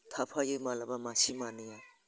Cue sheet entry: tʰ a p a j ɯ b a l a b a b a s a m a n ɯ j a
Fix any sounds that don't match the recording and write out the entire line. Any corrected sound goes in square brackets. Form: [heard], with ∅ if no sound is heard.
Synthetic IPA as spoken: tʰ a [pʰ] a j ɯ [m] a l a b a [m] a s [i] m a n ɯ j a